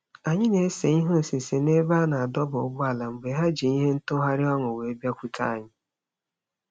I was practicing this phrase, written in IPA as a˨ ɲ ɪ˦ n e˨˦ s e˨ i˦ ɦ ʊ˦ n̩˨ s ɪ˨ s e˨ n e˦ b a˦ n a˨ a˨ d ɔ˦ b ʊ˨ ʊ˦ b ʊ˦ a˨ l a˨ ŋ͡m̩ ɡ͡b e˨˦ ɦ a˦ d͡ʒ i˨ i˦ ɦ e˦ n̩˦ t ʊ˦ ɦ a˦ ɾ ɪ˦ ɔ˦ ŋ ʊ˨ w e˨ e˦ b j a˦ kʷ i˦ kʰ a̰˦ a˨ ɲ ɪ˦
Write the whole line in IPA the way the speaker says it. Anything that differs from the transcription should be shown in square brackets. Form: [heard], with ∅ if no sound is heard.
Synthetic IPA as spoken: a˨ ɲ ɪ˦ n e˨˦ s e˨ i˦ ɦ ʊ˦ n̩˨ s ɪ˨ s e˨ n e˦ b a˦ n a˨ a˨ d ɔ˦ b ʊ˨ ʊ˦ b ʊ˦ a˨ l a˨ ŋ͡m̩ ɡ͡b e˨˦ ɦ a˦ d͡ʒ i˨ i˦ ɦ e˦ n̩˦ t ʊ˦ ɦ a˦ ɾ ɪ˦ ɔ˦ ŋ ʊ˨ w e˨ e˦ b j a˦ kʷ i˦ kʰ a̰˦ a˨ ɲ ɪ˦